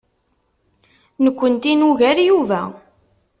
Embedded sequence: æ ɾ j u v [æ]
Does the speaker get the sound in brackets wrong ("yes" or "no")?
no